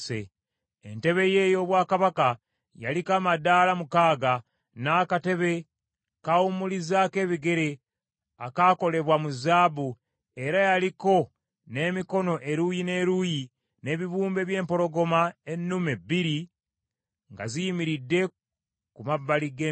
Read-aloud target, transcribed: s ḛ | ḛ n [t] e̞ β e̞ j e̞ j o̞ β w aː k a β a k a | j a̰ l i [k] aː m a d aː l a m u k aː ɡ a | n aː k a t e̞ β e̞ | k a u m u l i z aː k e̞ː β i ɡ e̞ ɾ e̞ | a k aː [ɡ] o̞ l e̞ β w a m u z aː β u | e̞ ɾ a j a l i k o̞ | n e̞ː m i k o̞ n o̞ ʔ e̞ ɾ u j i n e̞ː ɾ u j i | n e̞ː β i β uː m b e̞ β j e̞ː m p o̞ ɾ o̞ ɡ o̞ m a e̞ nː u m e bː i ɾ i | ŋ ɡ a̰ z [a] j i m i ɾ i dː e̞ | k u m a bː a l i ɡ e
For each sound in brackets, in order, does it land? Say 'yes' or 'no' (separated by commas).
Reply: yes, yes, no, no